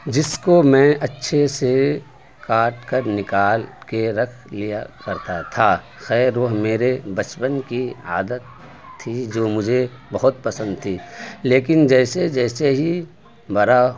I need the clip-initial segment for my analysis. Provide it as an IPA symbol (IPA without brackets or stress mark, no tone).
d͡ʒ